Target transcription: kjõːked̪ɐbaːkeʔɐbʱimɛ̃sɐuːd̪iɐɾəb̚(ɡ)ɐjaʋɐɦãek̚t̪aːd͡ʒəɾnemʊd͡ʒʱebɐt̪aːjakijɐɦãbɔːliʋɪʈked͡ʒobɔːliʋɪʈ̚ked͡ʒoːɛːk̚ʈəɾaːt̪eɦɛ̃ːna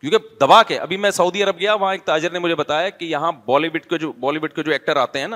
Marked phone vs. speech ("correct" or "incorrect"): correct